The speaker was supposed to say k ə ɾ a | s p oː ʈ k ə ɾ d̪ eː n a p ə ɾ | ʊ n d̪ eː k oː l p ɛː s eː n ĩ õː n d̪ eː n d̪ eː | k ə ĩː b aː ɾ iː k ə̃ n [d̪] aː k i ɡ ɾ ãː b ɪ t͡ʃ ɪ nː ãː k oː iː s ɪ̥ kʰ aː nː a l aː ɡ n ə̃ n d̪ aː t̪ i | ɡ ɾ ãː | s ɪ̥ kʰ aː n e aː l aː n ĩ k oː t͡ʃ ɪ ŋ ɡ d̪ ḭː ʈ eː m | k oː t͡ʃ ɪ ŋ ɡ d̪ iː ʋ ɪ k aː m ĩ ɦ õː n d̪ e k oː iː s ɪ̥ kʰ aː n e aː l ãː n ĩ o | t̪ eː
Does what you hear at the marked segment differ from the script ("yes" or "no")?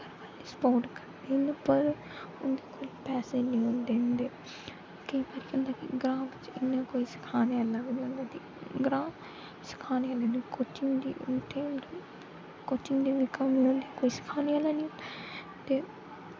no